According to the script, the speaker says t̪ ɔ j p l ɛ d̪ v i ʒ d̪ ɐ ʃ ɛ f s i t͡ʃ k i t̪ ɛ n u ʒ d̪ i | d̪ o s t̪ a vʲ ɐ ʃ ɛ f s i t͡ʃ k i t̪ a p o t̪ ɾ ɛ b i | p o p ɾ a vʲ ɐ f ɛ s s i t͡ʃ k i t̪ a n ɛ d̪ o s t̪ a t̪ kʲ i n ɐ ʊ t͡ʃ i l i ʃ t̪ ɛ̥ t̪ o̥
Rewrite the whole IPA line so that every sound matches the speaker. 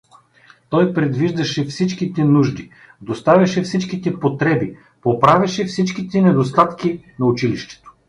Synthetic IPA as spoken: t̪ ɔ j p ɾ ɛ d̪ v i ʒ d̪ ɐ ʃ ɛ f s i t͡ʃ k i t̪ ɛ n u ʒ d̪ i | d̪ o s t̪ a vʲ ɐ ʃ ɛ f s i t͡ʃ k i t̪ ɛ p o t̪ ɾ ɛ b i | p o p ɾ a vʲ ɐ ʃ ɛ f s i t͡ʃ k i t̪ ɛ n ɛ d̪ o s t̪ a t̪ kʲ i n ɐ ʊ t͡ʃ i l i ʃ t̪ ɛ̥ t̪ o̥